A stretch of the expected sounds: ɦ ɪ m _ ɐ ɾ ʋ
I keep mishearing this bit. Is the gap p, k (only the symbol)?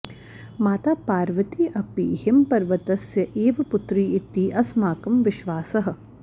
p